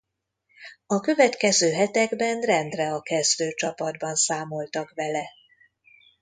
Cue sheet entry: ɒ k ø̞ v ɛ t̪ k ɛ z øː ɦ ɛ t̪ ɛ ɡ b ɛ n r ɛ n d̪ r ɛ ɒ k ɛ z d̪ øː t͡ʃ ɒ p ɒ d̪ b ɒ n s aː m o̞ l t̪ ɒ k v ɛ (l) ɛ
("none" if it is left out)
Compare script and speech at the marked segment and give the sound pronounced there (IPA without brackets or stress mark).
l